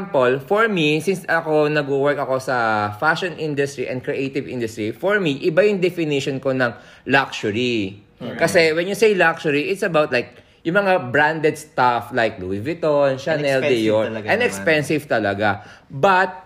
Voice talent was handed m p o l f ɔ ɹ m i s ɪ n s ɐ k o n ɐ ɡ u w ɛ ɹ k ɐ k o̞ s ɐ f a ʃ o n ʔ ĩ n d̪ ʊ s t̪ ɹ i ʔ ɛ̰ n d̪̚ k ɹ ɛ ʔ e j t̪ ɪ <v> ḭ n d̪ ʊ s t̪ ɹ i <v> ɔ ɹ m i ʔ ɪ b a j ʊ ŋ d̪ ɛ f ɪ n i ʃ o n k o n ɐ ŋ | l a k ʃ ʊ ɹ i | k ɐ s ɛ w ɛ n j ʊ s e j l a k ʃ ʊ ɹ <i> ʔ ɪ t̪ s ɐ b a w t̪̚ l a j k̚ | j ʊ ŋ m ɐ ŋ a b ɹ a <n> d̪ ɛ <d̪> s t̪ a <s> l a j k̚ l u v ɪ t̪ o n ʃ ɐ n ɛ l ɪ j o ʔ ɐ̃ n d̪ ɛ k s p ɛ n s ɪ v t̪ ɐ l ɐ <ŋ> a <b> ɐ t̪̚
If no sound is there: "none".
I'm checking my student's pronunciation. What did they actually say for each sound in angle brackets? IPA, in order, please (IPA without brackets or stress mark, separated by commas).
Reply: v, f, i, n, d̪, f, ɡ, b